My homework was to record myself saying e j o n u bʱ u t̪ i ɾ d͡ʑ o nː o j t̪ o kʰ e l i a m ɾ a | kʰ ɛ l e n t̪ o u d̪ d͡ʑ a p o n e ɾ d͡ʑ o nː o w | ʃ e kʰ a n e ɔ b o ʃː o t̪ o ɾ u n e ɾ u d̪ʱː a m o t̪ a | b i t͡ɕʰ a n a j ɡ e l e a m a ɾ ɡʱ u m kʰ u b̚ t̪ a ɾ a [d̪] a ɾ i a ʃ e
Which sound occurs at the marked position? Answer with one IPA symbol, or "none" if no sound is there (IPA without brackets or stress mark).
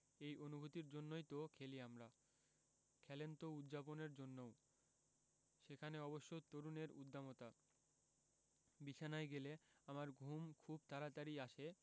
t̪